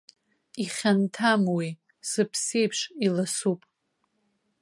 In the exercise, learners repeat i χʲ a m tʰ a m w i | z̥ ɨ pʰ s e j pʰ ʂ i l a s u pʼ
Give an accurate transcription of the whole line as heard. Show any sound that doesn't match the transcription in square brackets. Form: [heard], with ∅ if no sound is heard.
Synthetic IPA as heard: i χʲ a [n] tʰ a m w i | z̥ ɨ pʰ s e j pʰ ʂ i l a s u pʼ